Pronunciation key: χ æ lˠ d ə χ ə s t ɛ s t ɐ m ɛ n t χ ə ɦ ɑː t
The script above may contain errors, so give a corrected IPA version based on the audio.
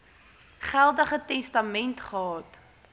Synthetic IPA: χ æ lˠ d ə χ ə t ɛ s t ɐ m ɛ n t χ ə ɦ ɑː t